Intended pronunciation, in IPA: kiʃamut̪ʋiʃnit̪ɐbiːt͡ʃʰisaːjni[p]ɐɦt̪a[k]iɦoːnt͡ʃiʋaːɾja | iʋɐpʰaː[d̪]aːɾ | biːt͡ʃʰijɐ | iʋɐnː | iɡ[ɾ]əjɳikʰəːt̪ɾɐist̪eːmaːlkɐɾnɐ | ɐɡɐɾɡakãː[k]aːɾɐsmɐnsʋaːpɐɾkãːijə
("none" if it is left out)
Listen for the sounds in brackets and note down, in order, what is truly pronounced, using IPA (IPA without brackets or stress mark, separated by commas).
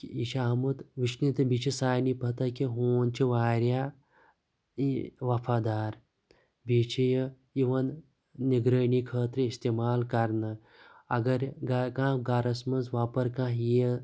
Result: p, k, d̪, ɾ, ɡ